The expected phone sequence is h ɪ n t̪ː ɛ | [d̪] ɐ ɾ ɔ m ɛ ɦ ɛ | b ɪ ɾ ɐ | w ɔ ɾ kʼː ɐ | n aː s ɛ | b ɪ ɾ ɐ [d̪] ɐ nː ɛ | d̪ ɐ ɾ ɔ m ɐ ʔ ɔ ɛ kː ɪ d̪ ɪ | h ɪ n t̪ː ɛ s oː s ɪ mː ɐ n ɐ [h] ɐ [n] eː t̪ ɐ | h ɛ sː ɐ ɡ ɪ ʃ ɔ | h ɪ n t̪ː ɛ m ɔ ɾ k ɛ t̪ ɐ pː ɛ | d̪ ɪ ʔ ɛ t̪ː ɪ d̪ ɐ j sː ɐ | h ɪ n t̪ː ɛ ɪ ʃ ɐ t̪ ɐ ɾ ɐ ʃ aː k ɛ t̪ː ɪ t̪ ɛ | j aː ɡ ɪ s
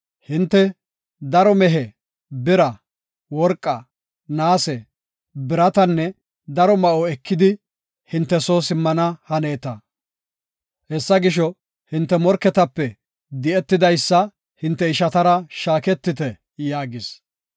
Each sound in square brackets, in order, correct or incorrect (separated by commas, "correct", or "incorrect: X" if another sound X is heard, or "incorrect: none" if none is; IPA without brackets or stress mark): correct, incorrect: t̪, correct, correct